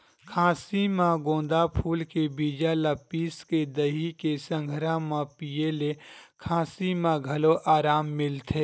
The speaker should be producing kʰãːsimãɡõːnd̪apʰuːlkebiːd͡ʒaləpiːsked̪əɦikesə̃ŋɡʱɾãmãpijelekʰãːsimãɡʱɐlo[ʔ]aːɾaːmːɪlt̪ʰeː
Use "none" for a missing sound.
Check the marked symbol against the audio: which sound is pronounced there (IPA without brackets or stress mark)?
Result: ʔ